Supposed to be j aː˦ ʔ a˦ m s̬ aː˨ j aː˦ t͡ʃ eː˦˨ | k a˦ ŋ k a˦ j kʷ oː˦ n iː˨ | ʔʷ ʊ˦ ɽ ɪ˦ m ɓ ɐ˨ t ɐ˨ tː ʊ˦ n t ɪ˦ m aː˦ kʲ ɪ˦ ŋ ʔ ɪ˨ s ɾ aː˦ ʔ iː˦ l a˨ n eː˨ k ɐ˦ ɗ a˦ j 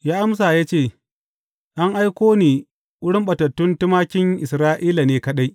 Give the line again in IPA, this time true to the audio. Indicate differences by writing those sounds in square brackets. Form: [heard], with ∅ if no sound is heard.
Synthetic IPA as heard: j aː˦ ʔ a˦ m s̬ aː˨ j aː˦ t͡ʃ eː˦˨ | [ʔ] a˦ ŋ [ʔ] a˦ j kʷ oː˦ n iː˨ | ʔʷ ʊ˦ ɽ ɪ˦ m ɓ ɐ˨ t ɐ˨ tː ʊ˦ n t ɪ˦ m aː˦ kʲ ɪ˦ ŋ ʔ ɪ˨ s ɾ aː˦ ʔ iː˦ l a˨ n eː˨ k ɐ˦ ɗ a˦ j

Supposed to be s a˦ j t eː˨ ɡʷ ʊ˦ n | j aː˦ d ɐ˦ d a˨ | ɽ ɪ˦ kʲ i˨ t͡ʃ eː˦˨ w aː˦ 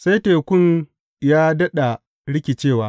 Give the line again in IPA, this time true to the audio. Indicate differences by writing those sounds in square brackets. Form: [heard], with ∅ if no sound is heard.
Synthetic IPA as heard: s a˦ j t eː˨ [kʷ] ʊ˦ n | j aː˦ d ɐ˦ [ɗ] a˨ | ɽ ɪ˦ kʲ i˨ t͡ʃ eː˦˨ w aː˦

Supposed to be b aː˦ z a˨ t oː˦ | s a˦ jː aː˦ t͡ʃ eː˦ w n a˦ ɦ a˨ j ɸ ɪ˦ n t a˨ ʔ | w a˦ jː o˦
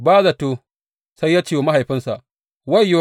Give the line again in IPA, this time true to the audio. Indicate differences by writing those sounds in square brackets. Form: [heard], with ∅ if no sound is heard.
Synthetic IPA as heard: b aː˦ z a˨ t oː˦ | s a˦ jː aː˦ t͡ʃ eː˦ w [m] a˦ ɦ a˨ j ɸ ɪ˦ n [s] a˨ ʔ | w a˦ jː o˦

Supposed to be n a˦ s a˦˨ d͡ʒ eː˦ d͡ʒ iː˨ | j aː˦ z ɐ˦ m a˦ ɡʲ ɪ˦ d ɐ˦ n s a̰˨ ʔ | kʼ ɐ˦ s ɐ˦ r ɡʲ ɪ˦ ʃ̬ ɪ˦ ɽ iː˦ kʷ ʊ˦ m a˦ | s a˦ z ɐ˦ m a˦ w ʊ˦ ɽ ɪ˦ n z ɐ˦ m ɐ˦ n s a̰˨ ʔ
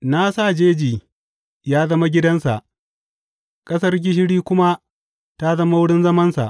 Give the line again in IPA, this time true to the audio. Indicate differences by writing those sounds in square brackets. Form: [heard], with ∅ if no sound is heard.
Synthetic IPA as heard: n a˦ s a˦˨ d͡ʒ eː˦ d͡ʒ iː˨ | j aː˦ z ɐ˦ m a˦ ɡʲ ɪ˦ d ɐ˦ n s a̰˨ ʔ | kʼ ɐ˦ s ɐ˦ r ɡʲ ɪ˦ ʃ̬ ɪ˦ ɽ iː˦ kʷ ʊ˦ m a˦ | [t] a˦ z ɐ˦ m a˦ w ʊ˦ ɽ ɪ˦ n z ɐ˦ m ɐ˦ n s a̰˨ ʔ

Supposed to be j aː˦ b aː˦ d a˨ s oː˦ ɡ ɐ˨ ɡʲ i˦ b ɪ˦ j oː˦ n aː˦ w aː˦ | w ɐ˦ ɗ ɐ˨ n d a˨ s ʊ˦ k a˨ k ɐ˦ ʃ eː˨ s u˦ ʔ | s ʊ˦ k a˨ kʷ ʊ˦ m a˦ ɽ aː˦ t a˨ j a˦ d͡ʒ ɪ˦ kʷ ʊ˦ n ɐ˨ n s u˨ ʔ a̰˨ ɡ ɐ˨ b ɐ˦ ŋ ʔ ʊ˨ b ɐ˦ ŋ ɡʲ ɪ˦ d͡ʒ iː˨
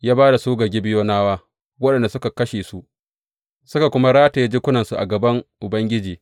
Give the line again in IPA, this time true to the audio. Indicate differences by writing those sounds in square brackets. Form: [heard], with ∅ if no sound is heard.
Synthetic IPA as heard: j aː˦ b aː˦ d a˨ s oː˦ ɡ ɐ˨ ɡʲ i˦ b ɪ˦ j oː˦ n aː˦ w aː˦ | w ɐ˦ ɗ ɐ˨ n d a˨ s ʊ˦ k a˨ k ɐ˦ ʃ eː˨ s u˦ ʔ | s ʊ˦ k a˨ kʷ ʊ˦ m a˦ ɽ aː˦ t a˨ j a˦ d͡ʒ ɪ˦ kʷ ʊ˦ n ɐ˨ n s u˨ ʔ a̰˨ ɡ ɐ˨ b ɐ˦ ŋ ʔ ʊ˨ b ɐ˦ ŋ ɡʲ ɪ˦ d͡ʒ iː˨

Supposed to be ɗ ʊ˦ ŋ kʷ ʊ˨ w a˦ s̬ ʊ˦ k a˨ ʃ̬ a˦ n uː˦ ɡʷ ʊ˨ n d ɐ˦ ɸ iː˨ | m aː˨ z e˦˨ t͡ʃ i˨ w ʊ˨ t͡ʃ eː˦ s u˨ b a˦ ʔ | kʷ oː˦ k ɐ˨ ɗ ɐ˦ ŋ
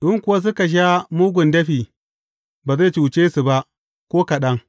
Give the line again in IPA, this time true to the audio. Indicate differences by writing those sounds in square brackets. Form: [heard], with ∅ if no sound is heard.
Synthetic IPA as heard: ɗ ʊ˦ ŋ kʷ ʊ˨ w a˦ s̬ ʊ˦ k a˨ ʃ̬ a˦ [m] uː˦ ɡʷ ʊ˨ n d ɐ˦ ɸ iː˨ | [b] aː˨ z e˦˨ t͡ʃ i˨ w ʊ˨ t͡ʃ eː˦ s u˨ b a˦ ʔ | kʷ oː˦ k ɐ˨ ɗ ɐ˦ ŋ

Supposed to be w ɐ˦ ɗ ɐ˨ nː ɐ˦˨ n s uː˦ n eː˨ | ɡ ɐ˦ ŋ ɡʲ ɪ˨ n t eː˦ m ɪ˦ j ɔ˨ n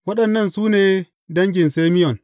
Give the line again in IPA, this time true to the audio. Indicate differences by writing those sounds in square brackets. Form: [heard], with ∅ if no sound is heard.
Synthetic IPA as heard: w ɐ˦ ɗ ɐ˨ nː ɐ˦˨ n s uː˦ n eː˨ | [d] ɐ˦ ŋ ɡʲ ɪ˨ n [s] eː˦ m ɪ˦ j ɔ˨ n

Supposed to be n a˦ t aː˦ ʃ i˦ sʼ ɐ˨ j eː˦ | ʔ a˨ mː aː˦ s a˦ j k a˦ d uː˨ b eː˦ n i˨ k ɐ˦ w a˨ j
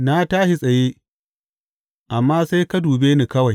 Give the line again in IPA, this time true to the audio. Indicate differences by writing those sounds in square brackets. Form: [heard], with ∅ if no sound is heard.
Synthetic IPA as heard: n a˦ t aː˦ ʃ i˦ sʼ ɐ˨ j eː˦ | ʔ a˨ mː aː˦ s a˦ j k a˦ d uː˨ b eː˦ n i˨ k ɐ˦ w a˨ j

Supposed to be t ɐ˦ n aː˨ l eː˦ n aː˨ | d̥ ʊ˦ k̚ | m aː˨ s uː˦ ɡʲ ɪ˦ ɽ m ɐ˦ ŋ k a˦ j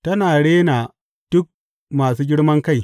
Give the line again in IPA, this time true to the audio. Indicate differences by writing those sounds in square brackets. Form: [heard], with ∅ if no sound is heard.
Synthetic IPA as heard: t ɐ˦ n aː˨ [ɽ] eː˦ n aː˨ | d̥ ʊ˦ k̚ | m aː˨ s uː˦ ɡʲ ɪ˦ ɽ m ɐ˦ ŋ k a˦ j

